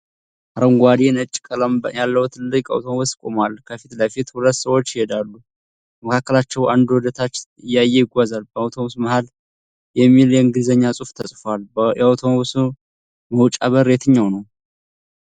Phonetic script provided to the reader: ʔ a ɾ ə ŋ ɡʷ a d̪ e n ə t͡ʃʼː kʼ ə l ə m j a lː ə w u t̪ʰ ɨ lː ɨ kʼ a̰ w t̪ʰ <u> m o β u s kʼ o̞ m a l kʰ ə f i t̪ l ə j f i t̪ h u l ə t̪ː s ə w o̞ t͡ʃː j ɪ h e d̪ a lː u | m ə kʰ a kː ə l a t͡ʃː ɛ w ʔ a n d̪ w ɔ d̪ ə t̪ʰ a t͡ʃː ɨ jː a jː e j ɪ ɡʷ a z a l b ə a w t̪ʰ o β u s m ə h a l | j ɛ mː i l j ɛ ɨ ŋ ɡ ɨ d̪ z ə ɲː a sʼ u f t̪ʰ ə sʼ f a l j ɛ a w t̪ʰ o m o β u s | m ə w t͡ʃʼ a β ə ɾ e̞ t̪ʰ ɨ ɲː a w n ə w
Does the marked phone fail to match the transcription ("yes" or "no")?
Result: yes